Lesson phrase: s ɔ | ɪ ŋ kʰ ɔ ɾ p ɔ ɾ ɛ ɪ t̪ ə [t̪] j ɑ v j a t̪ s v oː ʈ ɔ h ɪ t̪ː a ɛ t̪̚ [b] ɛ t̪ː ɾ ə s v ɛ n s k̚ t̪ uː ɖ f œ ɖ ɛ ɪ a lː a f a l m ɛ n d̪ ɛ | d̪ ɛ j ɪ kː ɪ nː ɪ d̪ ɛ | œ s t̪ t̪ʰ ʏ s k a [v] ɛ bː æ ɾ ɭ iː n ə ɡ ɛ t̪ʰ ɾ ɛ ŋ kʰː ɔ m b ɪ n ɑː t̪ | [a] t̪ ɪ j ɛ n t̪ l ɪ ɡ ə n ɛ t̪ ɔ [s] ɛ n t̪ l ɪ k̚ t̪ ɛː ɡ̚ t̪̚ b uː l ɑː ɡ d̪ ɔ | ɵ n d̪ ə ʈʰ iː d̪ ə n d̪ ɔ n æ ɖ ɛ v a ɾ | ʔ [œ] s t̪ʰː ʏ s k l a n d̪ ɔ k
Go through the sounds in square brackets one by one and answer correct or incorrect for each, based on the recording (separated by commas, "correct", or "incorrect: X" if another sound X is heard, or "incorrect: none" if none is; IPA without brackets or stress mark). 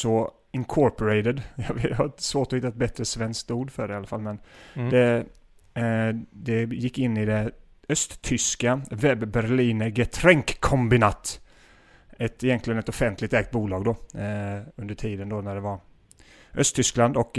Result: incorrect: d̪, correct, correct, incorrect: ɛ, incorrect: f, correct